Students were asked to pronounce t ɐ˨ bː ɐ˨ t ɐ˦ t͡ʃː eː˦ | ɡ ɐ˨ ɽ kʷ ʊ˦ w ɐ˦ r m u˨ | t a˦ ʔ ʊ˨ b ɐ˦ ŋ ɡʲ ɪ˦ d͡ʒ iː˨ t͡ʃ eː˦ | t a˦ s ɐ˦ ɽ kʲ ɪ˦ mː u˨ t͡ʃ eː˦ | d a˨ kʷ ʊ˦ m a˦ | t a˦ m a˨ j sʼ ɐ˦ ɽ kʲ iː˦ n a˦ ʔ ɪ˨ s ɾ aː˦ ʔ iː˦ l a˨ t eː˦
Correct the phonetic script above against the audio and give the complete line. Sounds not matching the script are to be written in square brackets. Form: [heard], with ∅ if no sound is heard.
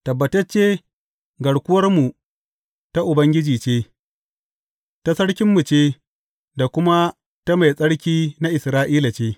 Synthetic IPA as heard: t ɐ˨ bː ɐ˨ t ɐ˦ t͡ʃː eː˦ | ɡ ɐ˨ ɽ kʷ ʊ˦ w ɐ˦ r m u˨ | t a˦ ʔ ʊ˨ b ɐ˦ ŋ ɡʲ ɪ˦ d͡ʒ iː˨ t͡ʃ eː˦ | t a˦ s ɐ˦ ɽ kʲ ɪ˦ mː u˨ t͡ʃ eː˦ | d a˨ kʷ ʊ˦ m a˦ | t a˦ m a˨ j sʼ ɐ˦ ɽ kʲ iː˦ n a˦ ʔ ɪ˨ s ɾ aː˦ ʔ iː˦ l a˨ [t͡ʃ] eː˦